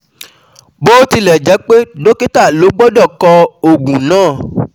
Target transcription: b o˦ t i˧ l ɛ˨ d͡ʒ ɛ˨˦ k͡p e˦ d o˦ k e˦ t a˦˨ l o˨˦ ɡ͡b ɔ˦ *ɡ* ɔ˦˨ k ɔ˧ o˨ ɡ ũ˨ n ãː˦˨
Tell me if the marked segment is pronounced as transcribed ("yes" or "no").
no